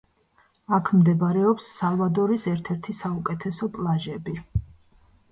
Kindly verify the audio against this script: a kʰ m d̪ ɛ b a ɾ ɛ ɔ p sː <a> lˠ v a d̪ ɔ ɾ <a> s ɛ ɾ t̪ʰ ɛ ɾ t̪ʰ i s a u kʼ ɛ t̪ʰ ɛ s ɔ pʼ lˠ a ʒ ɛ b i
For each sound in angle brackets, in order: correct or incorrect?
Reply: correct, incorrect

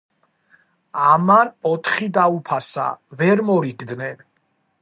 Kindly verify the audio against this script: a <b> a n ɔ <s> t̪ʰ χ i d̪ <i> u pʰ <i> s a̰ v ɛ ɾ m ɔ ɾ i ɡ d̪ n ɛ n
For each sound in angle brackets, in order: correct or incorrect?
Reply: incorrect, incorrect, incorrect, incorrect

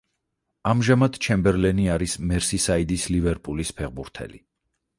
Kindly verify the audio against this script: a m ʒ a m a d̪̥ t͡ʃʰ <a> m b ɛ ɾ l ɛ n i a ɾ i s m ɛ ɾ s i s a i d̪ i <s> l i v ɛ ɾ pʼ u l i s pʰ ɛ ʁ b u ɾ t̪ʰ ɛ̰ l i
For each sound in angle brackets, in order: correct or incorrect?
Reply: incorrect, correct

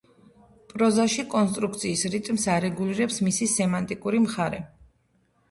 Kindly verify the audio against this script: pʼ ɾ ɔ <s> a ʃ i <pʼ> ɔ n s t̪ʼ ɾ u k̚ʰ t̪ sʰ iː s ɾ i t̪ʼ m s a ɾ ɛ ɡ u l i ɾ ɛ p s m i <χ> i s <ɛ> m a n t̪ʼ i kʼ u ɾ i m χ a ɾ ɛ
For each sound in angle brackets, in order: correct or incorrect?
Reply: incorrect, incorrect, incorrect, correct

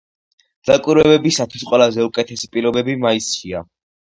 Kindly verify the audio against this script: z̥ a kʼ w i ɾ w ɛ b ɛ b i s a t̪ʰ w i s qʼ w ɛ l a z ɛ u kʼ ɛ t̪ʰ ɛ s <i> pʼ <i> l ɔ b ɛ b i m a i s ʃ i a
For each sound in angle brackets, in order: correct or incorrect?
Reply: correct, correct

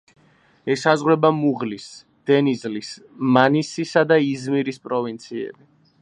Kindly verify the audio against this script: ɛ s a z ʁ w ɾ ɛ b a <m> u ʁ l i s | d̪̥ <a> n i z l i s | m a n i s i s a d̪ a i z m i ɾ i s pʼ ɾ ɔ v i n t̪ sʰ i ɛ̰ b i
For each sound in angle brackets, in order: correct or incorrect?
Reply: correct, incorrect

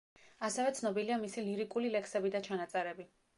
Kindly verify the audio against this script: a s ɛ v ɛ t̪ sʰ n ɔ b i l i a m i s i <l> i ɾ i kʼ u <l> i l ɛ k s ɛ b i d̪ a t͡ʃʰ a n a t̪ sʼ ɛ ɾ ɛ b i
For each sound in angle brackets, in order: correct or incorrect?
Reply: correct, correct

